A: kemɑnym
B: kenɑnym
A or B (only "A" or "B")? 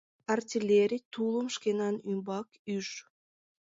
B